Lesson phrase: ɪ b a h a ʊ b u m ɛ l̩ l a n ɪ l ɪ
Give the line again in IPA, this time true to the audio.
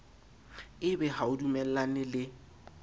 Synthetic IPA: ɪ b ɛ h a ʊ d u m ɛ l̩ l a n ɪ l ɪ